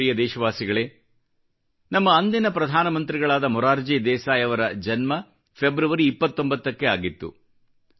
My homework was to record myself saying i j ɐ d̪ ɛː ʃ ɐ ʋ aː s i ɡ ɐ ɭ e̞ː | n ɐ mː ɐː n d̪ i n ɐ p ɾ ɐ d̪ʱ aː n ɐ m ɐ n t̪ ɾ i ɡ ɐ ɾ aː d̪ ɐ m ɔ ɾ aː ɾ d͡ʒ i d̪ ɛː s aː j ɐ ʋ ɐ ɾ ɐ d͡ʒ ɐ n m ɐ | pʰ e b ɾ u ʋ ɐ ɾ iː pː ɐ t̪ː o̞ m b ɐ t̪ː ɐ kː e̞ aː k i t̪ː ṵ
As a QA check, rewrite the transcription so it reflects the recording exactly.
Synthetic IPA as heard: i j ɐ d̪ ɛː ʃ ɐ ʋ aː s i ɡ ɐ ɭ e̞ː | n ɐ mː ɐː n d̪ i n ɐ p ɾ ɐ d̪ʱ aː n ɐ m ɐ n t̪ ɾ i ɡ ɐ ɭ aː d̪ ɐ m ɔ ɾ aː ɾ d͡ʒ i d̪ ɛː s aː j ɐ ʋ ɐ ɾ ɐ d͡ʒ ɐ n m ɐ | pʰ e b ɾ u ʋ ɐ ɾ iː pː ɐ t̪ː o̞ m b ɐ t̪ː ɐ kː e̞ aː ɡ i t̪ː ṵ